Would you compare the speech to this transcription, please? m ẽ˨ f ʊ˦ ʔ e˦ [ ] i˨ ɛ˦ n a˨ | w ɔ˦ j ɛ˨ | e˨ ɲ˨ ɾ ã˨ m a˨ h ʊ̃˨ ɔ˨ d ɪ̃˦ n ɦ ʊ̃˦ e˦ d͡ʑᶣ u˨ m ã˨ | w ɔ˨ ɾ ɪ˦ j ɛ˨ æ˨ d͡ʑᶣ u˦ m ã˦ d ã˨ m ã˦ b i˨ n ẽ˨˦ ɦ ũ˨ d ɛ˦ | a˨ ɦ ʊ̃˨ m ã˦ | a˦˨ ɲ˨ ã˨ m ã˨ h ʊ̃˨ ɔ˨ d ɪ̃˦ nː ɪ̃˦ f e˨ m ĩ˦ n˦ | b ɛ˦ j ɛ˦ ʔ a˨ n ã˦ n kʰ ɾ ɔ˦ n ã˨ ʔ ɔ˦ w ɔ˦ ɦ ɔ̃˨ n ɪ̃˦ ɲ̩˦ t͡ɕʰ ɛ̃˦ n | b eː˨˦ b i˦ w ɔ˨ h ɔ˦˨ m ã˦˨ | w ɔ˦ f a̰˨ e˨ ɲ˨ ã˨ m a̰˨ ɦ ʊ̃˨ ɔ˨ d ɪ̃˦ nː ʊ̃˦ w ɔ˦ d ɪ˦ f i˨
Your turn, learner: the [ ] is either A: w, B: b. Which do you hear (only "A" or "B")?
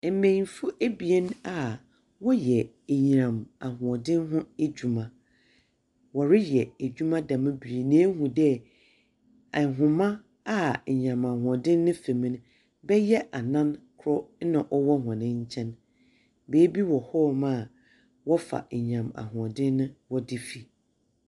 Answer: B